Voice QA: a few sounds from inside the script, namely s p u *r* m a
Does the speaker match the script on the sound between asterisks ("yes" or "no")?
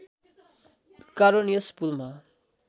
no